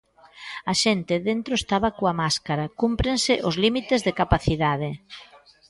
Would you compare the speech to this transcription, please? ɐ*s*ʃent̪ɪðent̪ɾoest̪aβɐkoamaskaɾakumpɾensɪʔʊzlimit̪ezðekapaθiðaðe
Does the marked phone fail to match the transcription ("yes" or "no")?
yes